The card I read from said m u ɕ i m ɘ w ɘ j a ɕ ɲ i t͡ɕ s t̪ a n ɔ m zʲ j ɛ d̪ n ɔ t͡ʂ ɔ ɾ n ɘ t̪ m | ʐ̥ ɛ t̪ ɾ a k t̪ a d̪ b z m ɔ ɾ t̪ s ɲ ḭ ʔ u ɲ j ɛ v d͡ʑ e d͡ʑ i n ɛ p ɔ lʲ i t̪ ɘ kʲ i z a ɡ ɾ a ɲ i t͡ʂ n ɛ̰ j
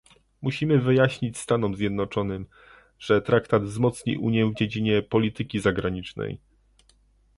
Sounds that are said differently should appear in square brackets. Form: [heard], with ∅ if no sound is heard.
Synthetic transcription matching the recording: m u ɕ i m ɘ [v] ɘ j a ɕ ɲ i t͡ɕ s t̪ a n ɔ m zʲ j ɛ d̪ n ɔ t͡ʂ ɔ [∅] n ɘ [∅] m | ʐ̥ ɛ t̪ ɾ a k t̪ a d̪ [v] z m ɔ [∅] t̪ s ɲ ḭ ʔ u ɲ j ɛ v d͡ʑ e d͡ʑ i [ɲ] ɛ p ɔ lʲ i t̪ ɘ kʲ i z a ɡ ɾ a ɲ i t͡ʂ n ɛ̰ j